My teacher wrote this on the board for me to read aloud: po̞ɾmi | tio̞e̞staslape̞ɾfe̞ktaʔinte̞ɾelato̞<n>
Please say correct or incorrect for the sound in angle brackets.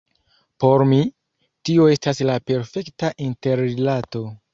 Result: incorrect